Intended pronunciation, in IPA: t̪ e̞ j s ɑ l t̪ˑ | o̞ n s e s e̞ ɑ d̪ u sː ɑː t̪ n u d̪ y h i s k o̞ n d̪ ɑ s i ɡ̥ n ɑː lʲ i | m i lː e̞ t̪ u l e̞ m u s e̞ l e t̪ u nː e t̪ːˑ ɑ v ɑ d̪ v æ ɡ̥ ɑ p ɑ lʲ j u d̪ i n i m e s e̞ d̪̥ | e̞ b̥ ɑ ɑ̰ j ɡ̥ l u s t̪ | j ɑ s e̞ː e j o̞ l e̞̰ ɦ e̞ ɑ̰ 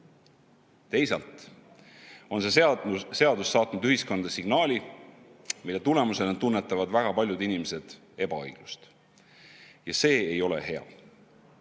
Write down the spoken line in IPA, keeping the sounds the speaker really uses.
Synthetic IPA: t̪ e̞ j s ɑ l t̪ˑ | o̞ n s e s e̞ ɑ d̪ u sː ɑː t̪ n u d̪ y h i s k o̞ n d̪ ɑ s i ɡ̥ n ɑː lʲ i | m i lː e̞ t̪ u l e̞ m u s e̞ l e t̪ u nː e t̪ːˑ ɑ v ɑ d̪ v æ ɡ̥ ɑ p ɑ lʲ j u d̪ i n i m e s e̞ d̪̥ | e̞ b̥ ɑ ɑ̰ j ɡ̥ l u s t̪ | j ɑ s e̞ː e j o̞ l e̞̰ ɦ e̞ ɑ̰

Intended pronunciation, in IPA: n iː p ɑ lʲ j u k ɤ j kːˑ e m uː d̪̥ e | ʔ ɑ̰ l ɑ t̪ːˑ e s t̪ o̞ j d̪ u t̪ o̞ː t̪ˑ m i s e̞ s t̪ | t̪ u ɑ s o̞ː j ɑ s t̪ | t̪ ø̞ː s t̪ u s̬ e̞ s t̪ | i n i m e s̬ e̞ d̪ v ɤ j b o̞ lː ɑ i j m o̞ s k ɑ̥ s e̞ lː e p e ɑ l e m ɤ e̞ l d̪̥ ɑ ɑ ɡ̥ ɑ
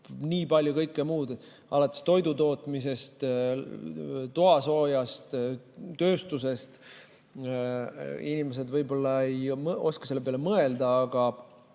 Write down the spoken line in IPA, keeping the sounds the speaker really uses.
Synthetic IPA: n iː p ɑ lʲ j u k ɤ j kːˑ e m uː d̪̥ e | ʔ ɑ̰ l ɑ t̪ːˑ e s t̪ o̞ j d̪ u t̪ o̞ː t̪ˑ m i s e̞ s t̪ | t̪ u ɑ s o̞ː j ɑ s t̪ | t̪ ø̞ː s t̪ u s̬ e̞ s t̪ | i n i m e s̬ e̞ d̪ v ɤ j b o̞ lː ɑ e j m o̞ s k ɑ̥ s e̞ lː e p e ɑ l e m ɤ e̞ l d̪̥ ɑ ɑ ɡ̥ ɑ

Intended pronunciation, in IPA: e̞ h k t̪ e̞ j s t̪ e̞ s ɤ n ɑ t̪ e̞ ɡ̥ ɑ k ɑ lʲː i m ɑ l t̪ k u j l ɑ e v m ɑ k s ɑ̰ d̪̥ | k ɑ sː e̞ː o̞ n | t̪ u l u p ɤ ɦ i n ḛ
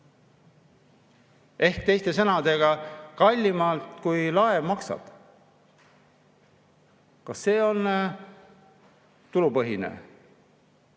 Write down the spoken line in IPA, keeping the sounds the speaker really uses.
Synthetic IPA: e̞ h k t̪ e̞ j s t̪ e̞ s ɤ n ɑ d̪ e̞ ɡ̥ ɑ k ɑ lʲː i m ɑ l t̪ k u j l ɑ e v m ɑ k s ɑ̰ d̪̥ | k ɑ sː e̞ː o̞ n | t̪ u l u p ɤ ɦ i n ḛ

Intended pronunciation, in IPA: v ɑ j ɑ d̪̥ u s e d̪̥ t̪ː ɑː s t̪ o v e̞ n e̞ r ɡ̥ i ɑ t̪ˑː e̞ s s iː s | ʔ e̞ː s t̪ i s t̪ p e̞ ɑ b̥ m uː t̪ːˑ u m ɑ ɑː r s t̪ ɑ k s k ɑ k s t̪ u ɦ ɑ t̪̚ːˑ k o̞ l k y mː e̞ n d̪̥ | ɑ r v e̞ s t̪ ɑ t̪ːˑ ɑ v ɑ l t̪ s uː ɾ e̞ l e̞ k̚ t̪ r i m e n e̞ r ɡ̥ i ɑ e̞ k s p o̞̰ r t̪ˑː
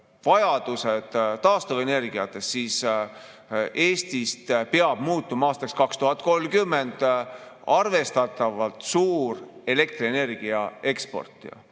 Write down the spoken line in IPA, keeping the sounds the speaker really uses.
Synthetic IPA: v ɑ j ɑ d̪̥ u s e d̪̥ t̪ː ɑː s t̪ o v e̞ n e̞ r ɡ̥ i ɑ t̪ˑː e̞ s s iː s | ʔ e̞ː s t̪ i s t̪ p e̞ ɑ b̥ m uː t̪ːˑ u m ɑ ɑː s t̪ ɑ k s k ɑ k s t̪ u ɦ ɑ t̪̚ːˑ k o̞ l k y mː e̞ n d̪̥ | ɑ r v e̞ s t̪ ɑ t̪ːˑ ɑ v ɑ l t̪ s uː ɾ e̞ l e̞ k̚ t̪ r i e n e̞ r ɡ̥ i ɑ e̞ k s p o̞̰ r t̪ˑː

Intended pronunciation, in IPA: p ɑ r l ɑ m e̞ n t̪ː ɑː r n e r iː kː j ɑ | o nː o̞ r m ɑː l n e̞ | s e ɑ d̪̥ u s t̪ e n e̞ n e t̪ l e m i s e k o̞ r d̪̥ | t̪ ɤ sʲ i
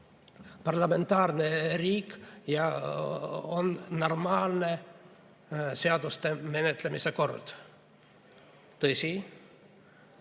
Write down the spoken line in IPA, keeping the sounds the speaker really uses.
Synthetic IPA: p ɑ r l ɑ m e̞ n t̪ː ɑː r n e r iː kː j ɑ | o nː o̞ r m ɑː l n e̞ | s e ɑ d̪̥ u s t̪ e m e̞ n e t̪ l e m i s e k o̞ r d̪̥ | t̪ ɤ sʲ i

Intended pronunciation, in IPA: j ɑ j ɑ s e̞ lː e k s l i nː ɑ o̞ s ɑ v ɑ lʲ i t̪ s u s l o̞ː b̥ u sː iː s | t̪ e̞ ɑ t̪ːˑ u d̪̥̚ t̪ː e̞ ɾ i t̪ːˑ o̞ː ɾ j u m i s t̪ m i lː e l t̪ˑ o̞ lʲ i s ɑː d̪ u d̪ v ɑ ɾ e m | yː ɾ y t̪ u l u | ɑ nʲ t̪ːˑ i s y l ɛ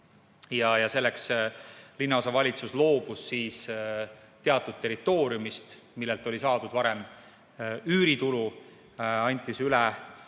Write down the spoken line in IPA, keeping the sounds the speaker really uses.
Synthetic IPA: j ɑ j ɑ s e̞ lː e k s l i nː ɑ o̞ s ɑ v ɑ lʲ i t̪ s u s l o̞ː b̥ u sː iː s | t̪ e̞ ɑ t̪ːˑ u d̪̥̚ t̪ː e̞ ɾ i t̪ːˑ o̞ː ɾ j u m i s t̪ m i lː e l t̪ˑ o̞ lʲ i s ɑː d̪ u d̪ v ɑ ɾ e m | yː ɾ i t̪ u l u | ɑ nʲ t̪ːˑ i s y l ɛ

